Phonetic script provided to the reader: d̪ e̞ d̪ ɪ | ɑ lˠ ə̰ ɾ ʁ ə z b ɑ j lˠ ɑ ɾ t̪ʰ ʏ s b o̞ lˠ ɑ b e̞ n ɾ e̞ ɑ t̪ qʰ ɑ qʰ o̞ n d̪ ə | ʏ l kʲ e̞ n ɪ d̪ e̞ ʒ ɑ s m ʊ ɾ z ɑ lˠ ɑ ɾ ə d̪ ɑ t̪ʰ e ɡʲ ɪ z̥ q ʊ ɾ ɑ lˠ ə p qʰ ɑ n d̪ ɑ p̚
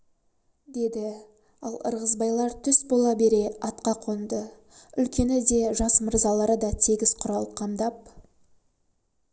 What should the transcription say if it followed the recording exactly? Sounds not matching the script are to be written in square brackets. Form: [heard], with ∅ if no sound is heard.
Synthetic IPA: d̪ e̞ d̪ ɪ | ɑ lˠ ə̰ ɾ ʁ ə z b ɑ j lˠ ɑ ɾ t̪ʰ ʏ s b o̞ lˠ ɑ b e̞ [∅] ɾ e̞ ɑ t̪ [q] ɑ qʰ o̞ n d̪ ə | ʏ l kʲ e̞ n ɪ d̪ e̞ ʒ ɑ s m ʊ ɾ z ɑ lˠ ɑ ɾ ə d̪ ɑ t̪ʰ e ɡʲ ɪ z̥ [qʰ] ʊ ɾ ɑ lˠ ə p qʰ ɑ [m] d̪ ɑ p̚